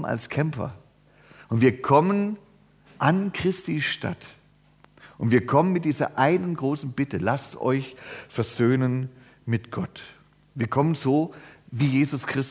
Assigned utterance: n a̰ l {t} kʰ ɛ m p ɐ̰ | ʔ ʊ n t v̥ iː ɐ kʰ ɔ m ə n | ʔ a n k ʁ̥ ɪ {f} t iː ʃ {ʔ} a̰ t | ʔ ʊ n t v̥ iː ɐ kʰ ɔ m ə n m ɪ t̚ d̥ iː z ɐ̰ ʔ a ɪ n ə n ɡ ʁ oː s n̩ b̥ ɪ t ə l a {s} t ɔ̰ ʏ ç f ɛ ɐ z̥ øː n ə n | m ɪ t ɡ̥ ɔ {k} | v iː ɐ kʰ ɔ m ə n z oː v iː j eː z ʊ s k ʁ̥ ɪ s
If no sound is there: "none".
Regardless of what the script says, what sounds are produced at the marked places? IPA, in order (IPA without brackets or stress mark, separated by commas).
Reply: s, s, t, s, t